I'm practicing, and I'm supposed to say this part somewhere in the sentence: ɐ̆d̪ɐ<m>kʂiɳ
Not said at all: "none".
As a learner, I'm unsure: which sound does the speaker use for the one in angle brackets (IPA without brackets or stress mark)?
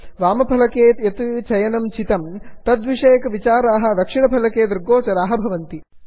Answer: none